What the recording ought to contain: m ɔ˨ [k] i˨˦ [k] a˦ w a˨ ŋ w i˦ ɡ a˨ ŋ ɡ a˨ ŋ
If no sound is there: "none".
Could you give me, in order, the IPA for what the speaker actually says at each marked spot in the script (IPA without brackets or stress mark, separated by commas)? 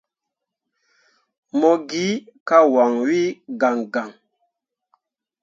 ɡ, k